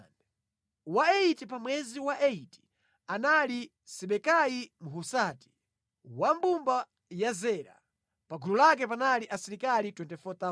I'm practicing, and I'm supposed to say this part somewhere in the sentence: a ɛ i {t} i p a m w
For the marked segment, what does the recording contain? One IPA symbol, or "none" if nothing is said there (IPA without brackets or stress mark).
t